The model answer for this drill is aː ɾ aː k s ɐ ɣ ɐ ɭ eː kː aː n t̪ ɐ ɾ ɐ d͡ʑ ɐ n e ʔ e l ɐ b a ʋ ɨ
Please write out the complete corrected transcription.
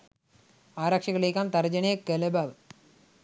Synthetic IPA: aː ɾ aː k ʂ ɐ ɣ ɐ ɭ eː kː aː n t̪ ɐ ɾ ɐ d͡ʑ ɐ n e k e l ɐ b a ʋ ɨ